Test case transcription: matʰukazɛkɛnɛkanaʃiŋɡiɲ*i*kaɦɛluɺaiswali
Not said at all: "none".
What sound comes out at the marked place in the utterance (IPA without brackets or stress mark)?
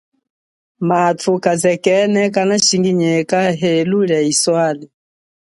ɛ